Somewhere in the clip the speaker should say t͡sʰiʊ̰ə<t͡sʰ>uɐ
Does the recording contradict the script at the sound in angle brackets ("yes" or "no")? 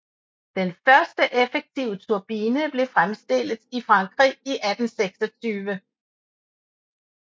no